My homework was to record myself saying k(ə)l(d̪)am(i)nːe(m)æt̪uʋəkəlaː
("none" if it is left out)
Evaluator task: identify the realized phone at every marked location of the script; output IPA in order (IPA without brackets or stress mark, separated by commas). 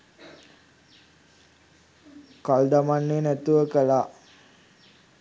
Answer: a, d̪, a, n